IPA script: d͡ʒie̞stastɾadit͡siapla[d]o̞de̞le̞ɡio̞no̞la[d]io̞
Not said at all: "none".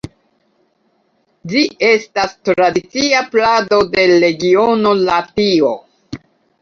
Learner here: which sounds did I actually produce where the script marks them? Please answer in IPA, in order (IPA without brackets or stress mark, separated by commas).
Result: d, t